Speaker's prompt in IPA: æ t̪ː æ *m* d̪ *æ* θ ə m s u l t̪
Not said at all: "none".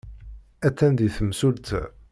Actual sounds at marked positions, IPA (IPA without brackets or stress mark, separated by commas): n, i